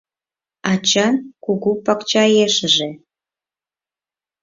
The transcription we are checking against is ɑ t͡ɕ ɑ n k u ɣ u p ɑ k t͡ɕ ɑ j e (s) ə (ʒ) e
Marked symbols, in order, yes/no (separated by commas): no, yes